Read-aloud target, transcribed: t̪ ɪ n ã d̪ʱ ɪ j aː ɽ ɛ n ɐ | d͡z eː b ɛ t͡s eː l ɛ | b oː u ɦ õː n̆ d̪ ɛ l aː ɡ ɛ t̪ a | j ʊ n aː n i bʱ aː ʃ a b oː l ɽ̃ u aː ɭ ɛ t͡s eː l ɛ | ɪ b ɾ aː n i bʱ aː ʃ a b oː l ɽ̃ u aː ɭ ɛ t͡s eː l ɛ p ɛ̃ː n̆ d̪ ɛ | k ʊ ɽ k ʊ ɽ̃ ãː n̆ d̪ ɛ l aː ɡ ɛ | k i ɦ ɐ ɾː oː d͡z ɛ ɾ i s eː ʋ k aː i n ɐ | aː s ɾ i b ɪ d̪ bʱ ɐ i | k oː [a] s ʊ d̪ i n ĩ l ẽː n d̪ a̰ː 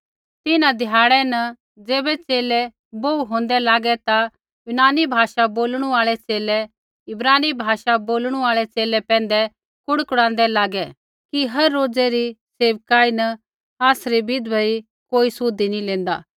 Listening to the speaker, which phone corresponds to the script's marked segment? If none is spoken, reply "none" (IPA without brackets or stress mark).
i